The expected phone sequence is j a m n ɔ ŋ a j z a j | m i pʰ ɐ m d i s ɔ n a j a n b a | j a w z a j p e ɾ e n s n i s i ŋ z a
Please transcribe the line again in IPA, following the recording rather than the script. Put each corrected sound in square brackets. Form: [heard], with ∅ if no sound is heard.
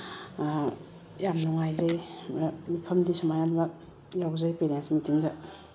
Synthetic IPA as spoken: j a m n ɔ ŋ a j z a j | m i pʰ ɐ m d i s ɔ [m] a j a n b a | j a w z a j p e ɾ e n s [m] i [t] i ŋ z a